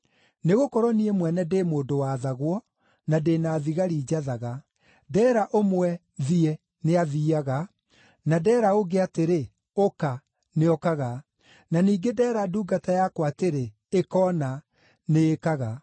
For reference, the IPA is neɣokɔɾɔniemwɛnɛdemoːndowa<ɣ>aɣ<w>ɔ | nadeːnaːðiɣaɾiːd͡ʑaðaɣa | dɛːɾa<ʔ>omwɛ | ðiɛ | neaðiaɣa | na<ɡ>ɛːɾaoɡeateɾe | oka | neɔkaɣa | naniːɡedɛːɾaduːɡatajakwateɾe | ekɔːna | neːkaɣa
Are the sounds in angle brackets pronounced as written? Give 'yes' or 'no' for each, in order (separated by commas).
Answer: no, yes, yes, no